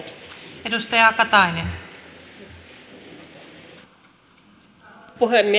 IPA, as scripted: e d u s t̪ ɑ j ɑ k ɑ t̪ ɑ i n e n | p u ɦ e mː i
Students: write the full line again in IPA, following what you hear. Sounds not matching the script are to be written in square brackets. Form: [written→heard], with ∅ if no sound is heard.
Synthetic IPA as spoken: e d u s t̪ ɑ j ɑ k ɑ t̪ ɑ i n e n | p u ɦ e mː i